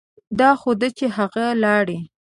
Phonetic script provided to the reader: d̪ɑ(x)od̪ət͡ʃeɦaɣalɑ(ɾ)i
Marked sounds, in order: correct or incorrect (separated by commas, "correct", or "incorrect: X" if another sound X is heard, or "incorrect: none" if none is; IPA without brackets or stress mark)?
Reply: correct, incorrect: ɽ